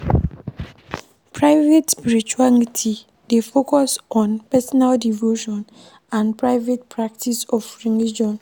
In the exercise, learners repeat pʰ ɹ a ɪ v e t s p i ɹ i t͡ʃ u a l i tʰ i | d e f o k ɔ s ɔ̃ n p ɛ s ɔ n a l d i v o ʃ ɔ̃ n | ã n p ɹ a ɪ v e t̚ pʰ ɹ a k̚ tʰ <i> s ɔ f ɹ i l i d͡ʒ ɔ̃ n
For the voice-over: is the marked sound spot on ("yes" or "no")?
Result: yes